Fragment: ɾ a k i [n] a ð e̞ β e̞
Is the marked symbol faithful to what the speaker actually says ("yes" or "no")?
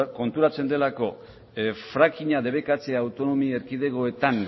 no